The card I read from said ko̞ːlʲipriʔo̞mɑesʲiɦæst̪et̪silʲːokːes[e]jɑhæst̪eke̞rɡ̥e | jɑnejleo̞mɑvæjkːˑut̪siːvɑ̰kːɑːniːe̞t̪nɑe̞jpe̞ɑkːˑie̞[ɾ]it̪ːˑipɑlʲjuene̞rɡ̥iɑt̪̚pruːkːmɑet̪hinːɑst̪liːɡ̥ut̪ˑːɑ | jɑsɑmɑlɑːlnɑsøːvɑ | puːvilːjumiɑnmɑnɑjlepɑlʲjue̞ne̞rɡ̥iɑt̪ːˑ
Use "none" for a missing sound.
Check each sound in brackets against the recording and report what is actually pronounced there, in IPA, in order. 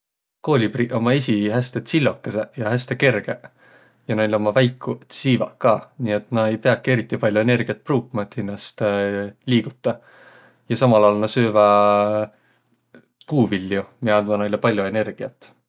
e, ɾ

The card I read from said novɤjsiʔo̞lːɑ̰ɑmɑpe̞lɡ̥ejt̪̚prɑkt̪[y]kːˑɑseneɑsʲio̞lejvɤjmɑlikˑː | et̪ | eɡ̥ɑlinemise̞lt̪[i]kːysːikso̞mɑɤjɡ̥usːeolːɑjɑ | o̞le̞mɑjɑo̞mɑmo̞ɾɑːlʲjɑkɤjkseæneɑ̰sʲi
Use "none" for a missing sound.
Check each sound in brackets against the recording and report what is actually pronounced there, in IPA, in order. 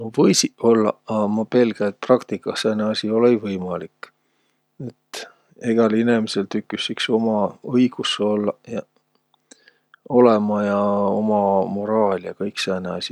i, y

